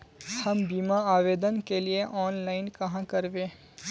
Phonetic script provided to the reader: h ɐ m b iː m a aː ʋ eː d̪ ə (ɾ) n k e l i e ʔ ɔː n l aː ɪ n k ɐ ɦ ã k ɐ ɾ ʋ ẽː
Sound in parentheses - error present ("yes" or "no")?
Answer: yes